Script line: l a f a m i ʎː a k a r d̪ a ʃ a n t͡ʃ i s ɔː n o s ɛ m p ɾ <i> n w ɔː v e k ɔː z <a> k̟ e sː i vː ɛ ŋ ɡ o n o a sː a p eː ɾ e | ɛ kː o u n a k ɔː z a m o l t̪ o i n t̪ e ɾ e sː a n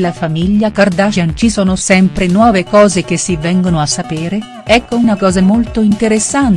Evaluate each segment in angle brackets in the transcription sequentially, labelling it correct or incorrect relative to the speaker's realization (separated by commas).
incorrect, incorrect